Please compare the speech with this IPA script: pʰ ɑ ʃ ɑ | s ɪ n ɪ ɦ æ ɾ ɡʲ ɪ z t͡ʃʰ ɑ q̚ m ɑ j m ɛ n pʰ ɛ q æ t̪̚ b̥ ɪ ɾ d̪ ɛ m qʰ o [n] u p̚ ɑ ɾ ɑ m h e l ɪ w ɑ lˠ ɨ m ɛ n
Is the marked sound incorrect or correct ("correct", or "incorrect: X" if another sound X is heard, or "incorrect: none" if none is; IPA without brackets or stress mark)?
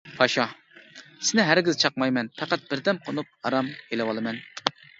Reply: correct